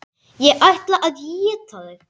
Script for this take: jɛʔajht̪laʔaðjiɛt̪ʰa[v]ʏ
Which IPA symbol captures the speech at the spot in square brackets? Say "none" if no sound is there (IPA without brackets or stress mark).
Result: ð